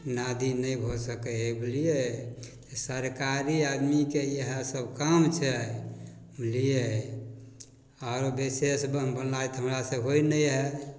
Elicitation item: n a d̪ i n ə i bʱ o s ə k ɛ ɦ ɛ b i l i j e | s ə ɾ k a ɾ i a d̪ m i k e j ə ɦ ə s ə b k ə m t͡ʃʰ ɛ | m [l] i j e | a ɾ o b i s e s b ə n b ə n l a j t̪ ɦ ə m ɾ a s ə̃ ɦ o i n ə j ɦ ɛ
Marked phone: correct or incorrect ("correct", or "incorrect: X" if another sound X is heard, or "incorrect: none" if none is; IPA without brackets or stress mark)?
correct